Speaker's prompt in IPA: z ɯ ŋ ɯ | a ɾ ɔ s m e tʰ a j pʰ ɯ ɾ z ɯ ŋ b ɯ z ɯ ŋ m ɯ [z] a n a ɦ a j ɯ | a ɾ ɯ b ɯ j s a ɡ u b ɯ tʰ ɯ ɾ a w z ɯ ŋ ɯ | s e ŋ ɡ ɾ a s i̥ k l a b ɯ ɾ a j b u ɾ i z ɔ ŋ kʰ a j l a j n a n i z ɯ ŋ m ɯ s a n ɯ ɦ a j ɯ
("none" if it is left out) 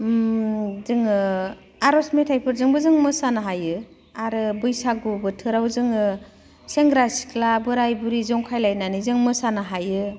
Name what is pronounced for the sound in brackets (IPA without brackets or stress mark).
s